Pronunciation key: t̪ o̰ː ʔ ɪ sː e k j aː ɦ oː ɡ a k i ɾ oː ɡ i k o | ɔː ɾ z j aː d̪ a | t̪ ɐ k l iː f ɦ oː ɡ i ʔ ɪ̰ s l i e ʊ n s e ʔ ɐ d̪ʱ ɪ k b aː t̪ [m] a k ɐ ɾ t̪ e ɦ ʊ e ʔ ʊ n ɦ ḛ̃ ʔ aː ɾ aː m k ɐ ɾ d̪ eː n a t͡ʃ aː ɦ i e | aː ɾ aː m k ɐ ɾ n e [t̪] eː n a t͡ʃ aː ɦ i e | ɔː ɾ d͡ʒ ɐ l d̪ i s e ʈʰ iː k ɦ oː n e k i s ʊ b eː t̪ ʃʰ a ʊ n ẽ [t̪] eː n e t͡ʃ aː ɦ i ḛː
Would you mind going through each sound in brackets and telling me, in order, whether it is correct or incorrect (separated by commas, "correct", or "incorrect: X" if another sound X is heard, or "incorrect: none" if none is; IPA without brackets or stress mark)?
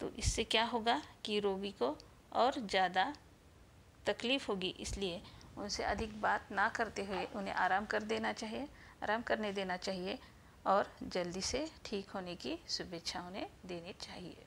incorrect: n, incorrect: d̪, incorrect: d̪